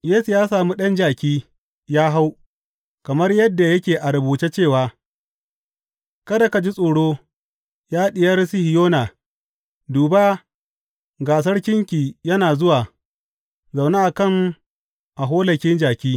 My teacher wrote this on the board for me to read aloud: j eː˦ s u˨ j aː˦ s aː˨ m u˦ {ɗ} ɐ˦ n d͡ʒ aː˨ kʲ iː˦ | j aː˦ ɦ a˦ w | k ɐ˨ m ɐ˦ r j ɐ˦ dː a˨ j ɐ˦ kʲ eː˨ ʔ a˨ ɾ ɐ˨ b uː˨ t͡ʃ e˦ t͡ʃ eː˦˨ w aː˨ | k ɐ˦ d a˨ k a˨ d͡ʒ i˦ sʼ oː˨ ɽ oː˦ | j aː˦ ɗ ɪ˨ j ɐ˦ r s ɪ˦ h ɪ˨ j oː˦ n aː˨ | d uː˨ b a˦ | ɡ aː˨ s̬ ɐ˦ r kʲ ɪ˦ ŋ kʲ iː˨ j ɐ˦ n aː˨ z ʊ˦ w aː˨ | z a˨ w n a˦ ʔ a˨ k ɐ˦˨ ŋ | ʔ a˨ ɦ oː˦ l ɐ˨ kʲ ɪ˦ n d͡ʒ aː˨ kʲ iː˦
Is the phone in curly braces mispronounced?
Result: no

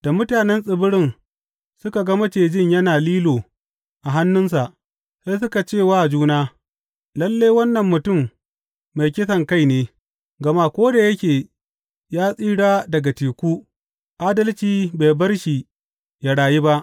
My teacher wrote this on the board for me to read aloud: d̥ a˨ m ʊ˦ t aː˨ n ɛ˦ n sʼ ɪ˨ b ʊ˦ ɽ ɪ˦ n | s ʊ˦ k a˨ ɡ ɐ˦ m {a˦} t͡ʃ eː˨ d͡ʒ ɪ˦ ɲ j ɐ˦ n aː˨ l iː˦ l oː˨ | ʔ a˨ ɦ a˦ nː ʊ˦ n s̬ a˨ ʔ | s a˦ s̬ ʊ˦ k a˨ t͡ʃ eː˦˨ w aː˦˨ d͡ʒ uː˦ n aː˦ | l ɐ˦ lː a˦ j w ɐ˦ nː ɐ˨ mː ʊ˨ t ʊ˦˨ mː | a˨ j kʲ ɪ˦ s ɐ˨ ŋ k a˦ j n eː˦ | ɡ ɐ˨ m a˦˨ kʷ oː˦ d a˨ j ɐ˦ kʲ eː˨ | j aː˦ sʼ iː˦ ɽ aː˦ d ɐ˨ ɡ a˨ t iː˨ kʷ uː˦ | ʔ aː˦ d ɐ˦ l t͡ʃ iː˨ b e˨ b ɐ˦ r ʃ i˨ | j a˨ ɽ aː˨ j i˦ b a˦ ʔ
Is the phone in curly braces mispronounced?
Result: yes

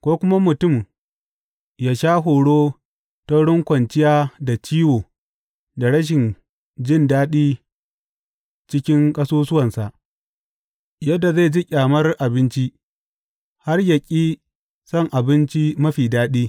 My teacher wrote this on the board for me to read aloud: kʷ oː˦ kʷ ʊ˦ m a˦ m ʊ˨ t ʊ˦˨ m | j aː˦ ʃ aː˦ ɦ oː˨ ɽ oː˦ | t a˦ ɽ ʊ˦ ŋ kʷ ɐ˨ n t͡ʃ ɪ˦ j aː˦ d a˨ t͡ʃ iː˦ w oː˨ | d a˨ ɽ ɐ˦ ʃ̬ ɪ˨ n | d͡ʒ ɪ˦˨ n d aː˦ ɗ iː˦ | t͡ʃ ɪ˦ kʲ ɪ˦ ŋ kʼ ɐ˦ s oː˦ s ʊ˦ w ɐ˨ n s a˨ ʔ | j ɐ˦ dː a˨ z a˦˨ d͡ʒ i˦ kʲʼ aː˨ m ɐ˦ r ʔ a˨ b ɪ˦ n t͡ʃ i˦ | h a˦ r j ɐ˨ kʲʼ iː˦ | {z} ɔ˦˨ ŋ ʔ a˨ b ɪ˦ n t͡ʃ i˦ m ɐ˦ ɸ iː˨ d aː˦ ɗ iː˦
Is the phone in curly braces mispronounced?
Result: yes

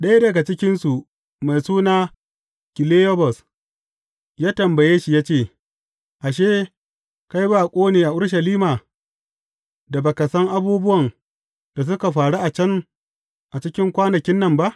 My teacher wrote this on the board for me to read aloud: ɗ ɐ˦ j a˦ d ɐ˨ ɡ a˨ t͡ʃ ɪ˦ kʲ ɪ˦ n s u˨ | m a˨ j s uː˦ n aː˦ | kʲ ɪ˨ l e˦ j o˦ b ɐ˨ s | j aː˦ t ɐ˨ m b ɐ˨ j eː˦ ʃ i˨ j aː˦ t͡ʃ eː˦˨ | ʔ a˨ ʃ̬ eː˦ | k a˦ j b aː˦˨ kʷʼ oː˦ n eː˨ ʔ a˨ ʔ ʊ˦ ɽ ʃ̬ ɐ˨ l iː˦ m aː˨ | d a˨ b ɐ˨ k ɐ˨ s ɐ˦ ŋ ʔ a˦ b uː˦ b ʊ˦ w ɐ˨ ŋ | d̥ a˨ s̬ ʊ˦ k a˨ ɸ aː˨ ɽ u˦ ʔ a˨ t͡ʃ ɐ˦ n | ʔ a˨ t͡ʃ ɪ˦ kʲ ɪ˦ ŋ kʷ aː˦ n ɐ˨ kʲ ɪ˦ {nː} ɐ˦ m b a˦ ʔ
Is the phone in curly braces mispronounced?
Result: no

